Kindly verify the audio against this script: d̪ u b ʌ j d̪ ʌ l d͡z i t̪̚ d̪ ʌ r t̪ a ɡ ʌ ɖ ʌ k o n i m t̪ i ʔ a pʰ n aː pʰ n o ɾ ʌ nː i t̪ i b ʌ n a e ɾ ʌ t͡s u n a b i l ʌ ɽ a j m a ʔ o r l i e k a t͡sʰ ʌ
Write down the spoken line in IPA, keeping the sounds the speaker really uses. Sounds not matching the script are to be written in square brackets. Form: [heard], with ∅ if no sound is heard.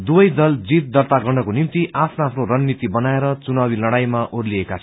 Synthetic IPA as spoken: d̪ u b ʌ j d̪ ʌ l d͡z i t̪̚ d̪ ʌ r t̪ a ɡ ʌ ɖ ʌ k o n i m t̪ i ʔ a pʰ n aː pʰ n o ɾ ʌ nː i t̪ i b ʌ n a e ɾ ʌ t͡s u n a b i l ʌ ɽ a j m a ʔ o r l i e k a t͡sʰ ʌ